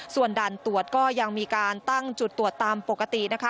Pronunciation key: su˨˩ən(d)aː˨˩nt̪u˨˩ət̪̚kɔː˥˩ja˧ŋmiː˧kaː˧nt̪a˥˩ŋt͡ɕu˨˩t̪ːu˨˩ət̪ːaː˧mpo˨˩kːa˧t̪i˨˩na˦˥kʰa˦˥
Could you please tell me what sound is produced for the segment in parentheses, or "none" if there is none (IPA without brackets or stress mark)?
d